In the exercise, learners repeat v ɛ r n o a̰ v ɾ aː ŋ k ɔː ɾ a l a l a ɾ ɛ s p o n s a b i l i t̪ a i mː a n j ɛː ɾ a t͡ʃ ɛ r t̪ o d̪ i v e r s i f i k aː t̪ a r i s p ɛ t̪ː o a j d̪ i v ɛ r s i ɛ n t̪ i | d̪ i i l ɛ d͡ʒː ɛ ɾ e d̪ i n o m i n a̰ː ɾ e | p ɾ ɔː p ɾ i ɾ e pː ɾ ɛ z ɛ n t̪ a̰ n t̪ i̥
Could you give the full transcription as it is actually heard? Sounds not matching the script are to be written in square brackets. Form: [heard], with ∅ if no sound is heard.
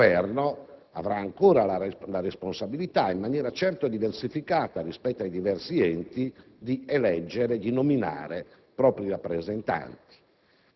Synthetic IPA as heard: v ɛ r n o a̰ v ɾ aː ŋ k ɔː ɾ a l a l a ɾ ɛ s p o n s a b i l i t̪ a i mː a n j ɛː ɾ a t͡ʃ ɛ r t̪ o d̪ i v e r s i f i k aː t̪ a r i s p ɛ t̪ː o a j d̪ i v ɛ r s i ɛ n t̪ i | d̪ i [ɛ] l ɛ d͡ʒː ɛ ɾ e d̪ i n o m i n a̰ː ɾ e | p ɾ ɔː p ɾ i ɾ [a] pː ɾ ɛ z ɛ n t̪ a̰ n t̪ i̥

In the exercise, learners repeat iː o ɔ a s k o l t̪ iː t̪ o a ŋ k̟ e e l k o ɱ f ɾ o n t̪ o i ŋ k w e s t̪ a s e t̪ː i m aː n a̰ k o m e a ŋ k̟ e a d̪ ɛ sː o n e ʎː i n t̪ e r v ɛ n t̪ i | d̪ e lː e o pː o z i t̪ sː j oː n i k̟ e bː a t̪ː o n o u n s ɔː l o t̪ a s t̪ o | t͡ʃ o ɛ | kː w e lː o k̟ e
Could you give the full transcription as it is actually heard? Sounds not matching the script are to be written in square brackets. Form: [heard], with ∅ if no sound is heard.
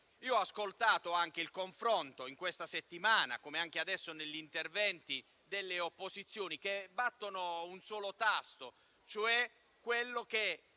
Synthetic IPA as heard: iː o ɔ a s k o l t̪ [aː] t̪ o a ŋ k̟ e [i] l k o ɱ f ɾ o n t̪ o i ŋ k w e s t̪ a s e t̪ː i m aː n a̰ k o m e a ŋ k̟ e a d̪ ɛ sː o n e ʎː i n t̪ e r v ɛ n t̪ i | d̪ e lː e o pː o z i t̪ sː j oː n i k̟ e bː a t̪ː o n o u n s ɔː l o t̪ a s t̪ o | t͡ʃ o ɛ | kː w e lː o k̟ e

